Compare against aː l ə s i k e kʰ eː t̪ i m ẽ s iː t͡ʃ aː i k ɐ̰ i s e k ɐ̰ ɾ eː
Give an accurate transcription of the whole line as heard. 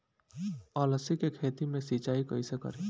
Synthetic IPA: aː l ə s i k e kʰ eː t̪ i m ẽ s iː t͡ʃ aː i k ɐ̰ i s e k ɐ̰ ɾ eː